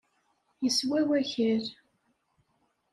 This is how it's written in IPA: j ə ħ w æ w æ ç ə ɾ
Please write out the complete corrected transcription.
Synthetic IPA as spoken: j ə s w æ w æ ç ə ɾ